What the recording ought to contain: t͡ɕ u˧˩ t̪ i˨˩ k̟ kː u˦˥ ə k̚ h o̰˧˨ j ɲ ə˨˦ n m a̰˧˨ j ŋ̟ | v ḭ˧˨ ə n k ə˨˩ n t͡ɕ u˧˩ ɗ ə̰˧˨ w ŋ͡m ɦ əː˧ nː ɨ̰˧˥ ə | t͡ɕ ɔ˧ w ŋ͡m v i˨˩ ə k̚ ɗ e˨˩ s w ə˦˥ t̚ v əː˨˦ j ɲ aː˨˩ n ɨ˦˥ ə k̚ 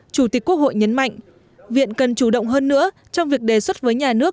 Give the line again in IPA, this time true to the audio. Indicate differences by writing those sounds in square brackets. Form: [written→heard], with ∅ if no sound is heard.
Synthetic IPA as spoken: t͡ɕ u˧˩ t̪ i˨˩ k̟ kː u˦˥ ə k̚ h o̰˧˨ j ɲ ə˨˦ n m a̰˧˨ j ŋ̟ | v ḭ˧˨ ə n k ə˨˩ n t͡ɕ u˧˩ ɗ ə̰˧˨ w ŋ͡m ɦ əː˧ nː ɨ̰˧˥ ə | t͡ɕ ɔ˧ w ŋ͡m v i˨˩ ə k̚ ɗ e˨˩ s w ə˦˥ t̚ v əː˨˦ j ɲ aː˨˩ n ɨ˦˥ ə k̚